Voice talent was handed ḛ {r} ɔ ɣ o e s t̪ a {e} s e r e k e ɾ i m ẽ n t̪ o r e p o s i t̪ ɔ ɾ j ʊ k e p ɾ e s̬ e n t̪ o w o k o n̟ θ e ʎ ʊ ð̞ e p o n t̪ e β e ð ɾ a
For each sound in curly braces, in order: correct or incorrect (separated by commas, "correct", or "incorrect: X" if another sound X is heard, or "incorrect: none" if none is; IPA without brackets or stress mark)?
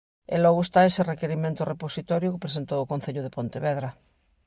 incorrect: l, correct